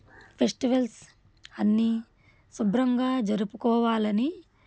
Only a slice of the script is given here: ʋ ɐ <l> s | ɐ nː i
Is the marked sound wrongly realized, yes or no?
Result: no